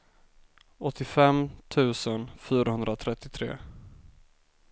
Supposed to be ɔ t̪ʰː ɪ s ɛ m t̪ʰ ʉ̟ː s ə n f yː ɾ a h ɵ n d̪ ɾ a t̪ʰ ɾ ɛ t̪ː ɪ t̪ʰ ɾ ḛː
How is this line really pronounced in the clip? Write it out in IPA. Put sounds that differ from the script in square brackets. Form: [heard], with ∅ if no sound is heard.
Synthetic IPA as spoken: ɔ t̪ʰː ɪ [f] ɛ m t̪ʰ ʉ̟ː s ə n f yː ɾ a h ɵ n d̪ ɾ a t̪ʰ ɾ ɛ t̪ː ɪ t̪ʰ ɾ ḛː